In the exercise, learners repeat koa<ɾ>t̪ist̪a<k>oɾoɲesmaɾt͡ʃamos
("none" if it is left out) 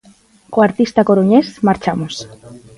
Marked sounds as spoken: ɾ, k

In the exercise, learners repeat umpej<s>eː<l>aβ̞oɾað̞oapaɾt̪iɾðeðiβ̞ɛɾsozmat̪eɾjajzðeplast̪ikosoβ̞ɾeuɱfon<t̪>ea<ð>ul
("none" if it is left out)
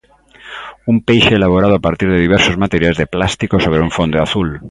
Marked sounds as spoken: ʃ, l, d̪, θ

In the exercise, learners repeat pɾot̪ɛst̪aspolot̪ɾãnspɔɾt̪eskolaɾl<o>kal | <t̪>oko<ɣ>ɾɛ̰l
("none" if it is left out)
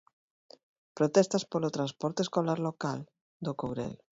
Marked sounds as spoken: o, d̪, w

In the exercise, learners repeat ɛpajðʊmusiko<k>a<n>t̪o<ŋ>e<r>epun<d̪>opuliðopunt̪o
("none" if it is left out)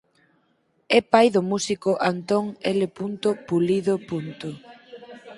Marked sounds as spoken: ʔ, n, ŋ, l, t̪

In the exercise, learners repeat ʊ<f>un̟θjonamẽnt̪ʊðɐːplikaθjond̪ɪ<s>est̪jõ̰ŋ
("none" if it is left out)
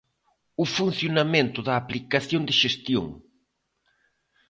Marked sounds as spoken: f, ʃ

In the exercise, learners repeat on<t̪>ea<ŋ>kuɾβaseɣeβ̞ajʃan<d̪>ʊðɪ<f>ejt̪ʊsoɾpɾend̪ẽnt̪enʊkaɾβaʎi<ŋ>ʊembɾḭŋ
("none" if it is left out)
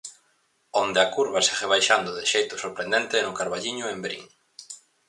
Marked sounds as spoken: d̪, none, d̪, ʃ, ɲ

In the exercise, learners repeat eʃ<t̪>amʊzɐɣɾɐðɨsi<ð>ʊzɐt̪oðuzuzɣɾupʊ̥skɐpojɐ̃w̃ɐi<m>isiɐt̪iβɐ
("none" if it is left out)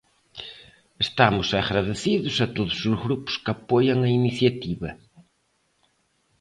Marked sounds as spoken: t̪, ð, n

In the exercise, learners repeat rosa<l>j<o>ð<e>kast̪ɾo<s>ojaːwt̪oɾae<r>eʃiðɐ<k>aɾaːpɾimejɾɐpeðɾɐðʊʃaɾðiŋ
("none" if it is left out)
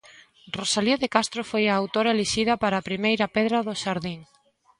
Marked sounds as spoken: l, o, e, f, l, p

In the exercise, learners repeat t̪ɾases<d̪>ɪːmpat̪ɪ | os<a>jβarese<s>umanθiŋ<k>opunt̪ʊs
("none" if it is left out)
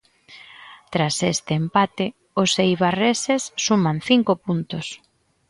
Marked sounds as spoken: t̪, e, sː, k

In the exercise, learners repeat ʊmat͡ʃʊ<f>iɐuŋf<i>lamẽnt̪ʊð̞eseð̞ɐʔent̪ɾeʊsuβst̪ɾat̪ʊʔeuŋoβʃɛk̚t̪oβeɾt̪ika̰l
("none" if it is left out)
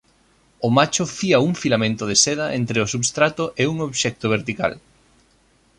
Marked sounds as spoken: f, i

